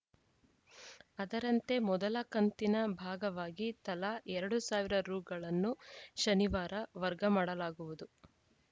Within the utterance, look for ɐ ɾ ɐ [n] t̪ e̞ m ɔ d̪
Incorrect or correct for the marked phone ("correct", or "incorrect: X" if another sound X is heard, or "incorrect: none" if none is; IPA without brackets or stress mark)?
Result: correct